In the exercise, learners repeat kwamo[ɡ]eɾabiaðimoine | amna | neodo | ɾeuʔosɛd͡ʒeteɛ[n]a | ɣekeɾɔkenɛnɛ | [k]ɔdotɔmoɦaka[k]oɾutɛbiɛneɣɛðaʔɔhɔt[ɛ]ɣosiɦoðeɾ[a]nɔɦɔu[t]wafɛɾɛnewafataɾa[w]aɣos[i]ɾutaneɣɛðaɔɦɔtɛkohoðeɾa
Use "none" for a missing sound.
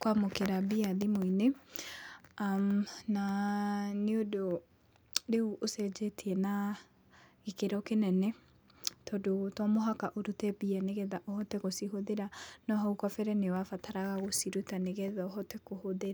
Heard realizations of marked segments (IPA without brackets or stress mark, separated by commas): k, n, t, ʔ, ɛ, a, k, ɣ, i